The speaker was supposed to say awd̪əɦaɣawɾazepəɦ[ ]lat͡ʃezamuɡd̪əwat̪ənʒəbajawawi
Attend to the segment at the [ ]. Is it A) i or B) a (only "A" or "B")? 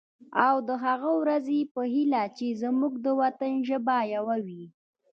A